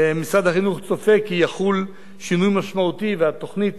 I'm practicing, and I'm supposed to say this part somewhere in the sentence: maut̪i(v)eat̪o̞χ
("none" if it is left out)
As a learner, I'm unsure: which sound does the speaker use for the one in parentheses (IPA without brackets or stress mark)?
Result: v